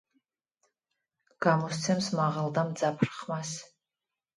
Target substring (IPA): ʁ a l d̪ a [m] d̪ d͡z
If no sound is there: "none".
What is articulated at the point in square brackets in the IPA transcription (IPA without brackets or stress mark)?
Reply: m